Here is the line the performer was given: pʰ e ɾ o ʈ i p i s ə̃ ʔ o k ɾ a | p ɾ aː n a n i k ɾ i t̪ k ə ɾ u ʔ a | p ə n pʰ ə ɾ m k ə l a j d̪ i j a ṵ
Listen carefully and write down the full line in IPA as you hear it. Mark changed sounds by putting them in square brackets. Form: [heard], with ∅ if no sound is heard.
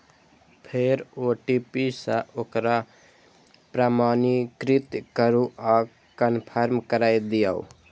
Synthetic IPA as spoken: pʰ e ɾ o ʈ i p i s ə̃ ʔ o k ɾ a | p ɾ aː [m] a n i k ɾ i t̪ k ə ɾ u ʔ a | [k] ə n pʰ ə ɾ m k ə [ɾ] a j d̪ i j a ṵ